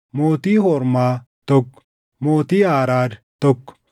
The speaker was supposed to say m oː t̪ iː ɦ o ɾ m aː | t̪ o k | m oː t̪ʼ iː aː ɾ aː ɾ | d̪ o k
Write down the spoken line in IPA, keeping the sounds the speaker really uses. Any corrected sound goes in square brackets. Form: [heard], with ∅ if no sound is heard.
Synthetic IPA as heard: m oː t̪ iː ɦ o ɾ m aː | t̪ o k | m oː [t̪] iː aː ɾ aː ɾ | [t̪] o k